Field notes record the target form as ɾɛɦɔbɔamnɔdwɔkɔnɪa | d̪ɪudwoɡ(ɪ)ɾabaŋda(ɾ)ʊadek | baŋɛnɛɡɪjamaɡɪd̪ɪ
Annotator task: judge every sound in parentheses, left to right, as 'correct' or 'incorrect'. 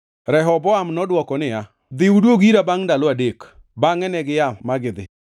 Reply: incorrect: i, incorrect: l

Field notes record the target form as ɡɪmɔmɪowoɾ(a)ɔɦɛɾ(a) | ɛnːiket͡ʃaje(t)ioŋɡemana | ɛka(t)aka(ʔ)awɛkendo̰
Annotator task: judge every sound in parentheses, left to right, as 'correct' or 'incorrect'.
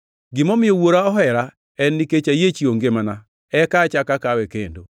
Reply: correct, correct, incorrect: t͡ʃ, incorrect: t͡ʃ, incorrect: k

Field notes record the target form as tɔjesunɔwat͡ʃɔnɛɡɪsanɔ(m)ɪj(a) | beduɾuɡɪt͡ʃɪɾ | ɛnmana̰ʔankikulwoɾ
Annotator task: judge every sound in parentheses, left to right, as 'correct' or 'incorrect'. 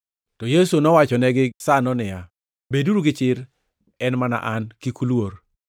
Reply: incorrect: n, correct

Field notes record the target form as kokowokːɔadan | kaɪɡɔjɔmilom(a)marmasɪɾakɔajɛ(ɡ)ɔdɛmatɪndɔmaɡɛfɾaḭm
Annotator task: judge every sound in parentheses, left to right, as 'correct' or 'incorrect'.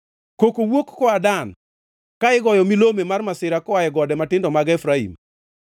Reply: incorrect: e, correct

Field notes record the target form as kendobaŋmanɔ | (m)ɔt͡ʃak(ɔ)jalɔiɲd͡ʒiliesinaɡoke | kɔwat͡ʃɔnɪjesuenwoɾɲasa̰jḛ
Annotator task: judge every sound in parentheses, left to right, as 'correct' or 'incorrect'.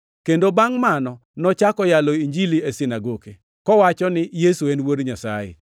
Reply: incorrect: n, correct

